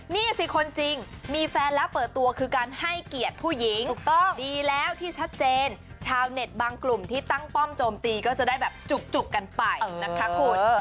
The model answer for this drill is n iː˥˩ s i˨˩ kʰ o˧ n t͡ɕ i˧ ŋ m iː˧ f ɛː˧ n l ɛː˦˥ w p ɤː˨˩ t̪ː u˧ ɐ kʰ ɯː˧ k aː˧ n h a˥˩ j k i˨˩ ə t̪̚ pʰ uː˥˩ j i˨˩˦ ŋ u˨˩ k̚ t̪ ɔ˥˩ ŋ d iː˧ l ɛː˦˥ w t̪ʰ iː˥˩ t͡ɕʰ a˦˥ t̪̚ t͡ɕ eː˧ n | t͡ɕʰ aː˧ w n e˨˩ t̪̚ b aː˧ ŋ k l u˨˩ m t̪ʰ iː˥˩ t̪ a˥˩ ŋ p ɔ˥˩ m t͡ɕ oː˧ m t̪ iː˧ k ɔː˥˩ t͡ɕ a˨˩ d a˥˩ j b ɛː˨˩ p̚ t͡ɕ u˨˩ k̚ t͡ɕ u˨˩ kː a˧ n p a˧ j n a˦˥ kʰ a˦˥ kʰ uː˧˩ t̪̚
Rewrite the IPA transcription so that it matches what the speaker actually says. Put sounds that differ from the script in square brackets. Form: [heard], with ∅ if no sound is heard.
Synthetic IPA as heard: n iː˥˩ s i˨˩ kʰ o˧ n t͡ɕ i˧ ŋ m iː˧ f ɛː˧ n l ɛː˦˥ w p ɤː˨˩ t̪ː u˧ ɐ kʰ ɯː˧ k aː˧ n h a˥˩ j k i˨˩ ə t̪̚ pʰ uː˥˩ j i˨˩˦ ŋ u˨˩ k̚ t̪ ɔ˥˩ ŋ d iː˧ l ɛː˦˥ w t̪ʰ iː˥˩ t͡ɕʰ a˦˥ t̪̚ t͡ɕ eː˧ n | t͡ɕʰ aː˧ w n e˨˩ t̪̚ b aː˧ ŋ k l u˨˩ m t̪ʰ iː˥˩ t̪ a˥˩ ŋ p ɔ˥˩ m t͡ɕ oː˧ m t̪ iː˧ k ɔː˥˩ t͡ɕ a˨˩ d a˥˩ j b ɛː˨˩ p̚ t͡ɕ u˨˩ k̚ t͡ɕ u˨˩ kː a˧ n p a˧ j n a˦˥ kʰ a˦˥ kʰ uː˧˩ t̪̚